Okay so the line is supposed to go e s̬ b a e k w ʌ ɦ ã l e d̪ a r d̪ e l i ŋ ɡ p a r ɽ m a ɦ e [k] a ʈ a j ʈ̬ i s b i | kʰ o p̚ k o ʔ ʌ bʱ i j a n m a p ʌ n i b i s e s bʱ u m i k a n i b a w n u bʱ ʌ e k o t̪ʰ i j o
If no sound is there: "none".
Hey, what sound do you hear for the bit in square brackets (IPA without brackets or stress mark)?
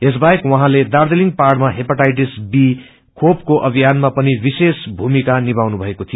p